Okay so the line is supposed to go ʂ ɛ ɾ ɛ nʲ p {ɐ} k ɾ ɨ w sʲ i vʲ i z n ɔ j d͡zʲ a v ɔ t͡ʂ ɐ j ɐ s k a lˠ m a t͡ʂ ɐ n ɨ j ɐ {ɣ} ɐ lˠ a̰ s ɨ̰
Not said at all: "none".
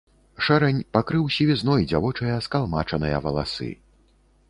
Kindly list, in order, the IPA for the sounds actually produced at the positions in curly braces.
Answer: a, v

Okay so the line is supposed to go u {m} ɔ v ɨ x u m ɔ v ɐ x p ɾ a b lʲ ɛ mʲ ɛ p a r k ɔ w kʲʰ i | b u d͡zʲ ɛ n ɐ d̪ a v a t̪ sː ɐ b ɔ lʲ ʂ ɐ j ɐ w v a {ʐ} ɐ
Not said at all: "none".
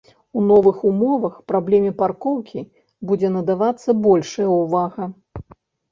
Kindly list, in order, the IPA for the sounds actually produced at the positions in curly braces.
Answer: n, ɣ

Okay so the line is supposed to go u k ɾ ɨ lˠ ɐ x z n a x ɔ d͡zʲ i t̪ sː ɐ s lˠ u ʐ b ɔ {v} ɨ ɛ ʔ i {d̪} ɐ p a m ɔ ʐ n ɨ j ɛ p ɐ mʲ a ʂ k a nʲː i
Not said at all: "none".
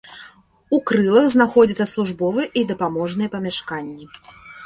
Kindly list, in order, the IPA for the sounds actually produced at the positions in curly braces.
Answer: v, d̪

